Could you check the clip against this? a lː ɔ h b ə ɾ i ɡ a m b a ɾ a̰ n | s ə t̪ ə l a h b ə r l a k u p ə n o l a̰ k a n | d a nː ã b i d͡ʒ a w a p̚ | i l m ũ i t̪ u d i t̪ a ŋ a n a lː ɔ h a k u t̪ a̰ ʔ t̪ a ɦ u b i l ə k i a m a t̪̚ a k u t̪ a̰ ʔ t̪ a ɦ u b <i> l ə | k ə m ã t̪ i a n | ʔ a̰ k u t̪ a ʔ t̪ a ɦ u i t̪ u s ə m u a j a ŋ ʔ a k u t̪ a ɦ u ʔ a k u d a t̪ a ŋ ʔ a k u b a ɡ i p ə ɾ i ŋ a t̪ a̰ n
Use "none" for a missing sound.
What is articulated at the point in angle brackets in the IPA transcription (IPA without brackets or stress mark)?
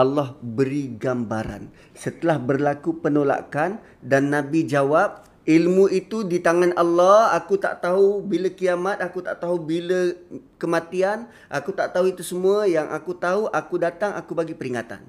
i